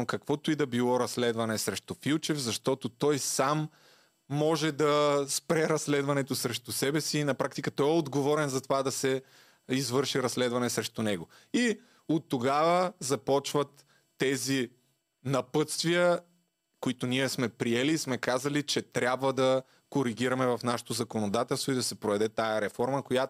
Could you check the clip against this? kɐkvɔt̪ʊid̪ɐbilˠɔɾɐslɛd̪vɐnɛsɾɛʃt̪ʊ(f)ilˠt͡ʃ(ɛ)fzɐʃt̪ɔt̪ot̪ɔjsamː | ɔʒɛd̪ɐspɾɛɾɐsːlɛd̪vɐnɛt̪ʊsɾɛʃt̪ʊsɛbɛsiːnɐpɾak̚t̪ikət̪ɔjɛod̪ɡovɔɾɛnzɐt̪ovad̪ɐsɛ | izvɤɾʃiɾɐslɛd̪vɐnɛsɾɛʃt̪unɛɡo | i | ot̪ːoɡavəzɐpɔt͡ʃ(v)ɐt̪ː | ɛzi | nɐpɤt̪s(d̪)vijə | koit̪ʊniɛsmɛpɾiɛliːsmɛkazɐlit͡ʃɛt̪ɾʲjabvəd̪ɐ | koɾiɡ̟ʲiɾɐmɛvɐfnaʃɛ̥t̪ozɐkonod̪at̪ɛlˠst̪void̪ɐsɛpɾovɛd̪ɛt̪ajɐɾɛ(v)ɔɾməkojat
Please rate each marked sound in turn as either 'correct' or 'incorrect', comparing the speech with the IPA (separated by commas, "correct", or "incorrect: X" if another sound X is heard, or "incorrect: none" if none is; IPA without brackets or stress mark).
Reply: correct, correct, correct, incorrect: t̪, incorrect: f